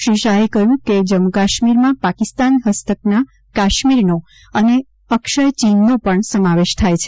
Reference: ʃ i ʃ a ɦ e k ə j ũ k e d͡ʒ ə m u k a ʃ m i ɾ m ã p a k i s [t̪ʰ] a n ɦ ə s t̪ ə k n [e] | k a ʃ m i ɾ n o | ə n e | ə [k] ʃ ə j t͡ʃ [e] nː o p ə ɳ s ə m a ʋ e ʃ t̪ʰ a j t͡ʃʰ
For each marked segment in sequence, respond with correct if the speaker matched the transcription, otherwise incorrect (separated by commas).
incorrect, incorrect, correct, incorrect